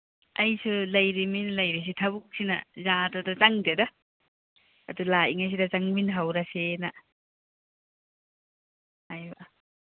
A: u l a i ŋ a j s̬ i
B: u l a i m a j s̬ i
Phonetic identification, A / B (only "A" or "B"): A